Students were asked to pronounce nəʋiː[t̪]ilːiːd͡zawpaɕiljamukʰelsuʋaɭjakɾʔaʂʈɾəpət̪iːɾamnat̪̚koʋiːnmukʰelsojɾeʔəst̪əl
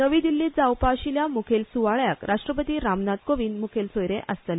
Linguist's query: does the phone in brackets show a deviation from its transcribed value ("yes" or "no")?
yes